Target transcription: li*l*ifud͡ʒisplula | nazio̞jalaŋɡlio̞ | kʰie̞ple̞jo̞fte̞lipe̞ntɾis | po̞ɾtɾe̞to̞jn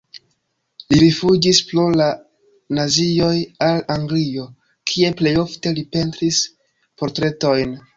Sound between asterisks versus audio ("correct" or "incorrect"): incorrect